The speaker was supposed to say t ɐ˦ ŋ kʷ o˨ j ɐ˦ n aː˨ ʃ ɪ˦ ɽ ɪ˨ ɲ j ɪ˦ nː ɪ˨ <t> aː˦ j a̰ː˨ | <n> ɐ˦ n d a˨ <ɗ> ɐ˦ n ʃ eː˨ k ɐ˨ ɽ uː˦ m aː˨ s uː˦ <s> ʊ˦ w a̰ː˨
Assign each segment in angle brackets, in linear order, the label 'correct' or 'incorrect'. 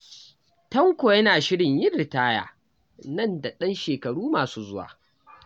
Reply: correct, correct, correct, incorrect

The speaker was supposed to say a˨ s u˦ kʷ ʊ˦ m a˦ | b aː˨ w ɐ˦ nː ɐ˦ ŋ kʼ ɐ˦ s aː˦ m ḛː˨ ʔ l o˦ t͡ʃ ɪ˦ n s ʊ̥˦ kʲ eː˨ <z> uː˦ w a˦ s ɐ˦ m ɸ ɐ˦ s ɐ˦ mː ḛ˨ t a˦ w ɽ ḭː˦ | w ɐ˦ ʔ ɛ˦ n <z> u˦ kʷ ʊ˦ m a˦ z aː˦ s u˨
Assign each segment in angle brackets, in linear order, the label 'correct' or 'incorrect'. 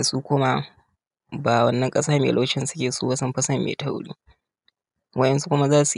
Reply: incorrect, incorrect

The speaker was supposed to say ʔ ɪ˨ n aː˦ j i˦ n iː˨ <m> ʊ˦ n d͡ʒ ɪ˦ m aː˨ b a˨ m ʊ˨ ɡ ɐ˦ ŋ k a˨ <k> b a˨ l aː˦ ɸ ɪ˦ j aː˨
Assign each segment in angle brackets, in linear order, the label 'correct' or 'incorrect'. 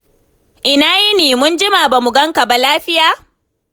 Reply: correct, incorrect

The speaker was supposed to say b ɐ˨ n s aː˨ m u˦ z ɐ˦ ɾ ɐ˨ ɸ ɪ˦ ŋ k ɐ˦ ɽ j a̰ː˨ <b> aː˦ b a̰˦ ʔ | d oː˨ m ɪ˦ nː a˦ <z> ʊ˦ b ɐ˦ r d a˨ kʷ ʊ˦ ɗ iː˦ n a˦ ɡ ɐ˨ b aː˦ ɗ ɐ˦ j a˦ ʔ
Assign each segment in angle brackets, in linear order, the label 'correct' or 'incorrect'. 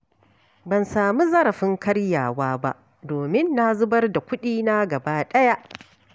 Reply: incorrect, correct

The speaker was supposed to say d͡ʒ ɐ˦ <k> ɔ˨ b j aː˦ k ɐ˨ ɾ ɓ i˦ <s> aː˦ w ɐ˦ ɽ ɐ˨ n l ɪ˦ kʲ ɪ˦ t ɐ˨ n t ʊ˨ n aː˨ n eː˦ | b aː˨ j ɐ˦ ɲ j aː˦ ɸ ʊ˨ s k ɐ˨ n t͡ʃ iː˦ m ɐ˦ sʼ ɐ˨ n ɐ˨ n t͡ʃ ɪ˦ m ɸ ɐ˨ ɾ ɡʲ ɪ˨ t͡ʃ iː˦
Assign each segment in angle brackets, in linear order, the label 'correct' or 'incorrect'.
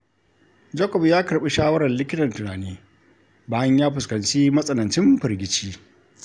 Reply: correct, incorrect

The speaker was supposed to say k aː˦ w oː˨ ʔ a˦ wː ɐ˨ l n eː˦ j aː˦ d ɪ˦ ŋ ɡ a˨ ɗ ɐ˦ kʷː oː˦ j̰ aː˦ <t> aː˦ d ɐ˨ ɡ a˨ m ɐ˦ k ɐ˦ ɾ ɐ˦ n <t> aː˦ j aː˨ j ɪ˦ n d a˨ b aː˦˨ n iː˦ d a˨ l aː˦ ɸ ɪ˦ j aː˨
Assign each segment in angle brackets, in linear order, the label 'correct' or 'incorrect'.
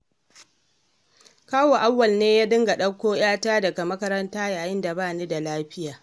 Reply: correct, correct

